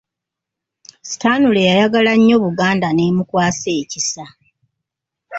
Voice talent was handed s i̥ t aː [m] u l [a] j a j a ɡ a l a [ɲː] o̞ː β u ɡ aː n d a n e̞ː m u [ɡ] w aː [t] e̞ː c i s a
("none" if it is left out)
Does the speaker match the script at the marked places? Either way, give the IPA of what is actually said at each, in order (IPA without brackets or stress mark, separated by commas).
n, e, ɲː, k, s